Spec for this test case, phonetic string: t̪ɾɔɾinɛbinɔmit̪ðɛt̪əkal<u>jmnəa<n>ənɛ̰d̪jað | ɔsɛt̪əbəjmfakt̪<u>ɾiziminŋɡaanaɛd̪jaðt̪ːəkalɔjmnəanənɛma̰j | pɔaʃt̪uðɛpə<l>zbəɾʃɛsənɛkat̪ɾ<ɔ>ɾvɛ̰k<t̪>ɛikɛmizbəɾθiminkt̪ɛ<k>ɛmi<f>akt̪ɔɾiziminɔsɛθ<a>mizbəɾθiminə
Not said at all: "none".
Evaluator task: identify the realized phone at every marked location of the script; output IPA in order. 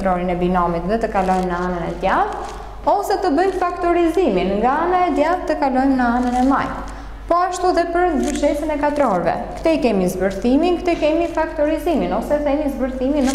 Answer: ɔ, n, ɔ, ɾ, ɔ, t̪, k, f, ɛ

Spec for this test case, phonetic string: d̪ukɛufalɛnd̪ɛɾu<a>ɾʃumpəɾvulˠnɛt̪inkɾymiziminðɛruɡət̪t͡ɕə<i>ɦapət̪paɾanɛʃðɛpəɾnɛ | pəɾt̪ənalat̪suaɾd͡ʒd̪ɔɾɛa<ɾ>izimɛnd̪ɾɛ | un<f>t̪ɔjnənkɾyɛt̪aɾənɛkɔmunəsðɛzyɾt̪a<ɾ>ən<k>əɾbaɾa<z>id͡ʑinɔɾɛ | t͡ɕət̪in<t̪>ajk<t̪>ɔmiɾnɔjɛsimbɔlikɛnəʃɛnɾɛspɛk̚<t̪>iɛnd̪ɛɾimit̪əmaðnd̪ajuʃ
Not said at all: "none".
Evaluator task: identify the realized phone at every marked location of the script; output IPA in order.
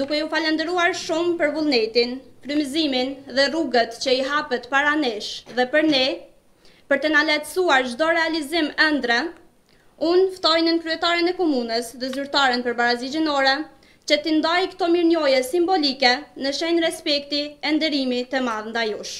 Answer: a, i, l, f, ɾ, p, z, d̪, t̪, t̪

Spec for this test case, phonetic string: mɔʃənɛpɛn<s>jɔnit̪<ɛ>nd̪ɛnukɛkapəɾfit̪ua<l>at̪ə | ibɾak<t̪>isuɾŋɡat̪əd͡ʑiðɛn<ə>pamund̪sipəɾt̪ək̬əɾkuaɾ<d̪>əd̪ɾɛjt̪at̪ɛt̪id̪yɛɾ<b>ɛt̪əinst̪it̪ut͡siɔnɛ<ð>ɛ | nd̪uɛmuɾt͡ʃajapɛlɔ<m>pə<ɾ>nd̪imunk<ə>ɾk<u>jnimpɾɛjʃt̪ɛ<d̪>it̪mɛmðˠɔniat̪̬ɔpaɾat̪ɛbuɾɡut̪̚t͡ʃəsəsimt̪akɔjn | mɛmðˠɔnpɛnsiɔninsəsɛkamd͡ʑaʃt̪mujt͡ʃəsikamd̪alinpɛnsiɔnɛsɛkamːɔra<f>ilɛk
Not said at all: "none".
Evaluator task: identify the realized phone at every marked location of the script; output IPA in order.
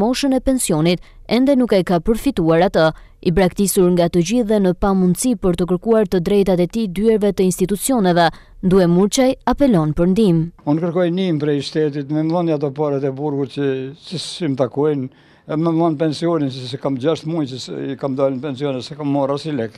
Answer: s, ɛ, ɾ, t̪, ə, t̪, v, v, n, ɾ, ə, ɔ, t̪, s

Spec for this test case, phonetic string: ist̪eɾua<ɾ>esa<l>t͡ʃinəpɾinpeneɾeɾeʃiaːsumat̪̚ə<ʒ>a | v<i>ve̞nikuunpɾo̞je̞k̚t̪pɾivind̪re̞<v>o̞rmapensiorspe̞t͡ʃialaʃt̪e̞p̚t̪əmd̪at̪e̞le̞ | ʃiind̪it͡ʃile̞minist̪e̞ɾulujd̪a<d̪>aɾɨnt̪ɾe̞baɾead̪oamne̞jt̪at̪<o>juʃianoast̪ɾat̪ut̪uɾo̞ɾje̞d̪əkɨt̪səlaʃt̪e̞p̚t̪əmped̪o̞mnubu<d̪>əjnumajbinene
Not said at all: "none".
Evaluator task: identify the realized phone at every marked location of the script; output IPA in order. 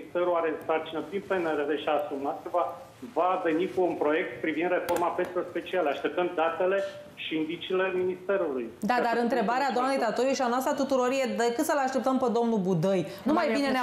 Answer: ɾ, r, v, a, f, d̪, o, d̪

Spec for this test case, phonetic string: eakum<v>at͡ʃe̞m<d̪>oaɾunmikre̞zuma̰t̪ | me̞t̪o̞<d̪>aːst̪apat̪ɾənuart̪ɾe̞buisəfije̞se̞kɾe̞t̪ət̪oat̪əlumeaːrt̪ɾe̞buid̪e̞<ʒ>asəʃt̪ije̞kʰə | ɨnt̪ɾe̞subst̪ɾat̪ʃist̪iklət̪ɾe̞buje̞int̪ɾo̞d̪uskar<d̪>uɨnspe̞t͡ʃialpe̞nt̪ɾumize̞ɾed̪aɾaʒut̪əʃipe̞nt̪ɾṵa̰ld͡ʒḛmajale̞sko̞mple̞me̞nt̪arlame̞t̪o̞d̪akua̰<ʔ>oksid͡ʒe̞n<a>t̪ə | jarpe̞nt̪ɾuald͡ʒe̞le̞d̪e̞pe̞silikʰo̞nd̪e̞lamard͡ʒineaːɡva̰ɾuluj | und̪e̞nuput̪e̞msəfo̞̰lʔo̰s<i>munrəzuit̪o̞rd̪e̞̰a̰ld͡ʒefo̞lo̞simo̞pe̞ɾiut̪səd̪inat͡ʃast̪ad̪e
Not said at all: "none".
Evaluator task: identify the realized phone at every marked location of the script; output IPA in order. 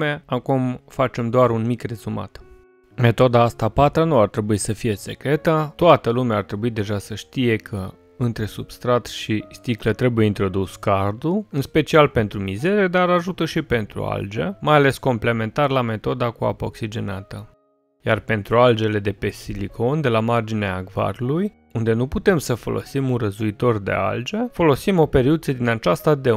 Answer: f, d̪, d̪, ʒ, d̪, p, a, i

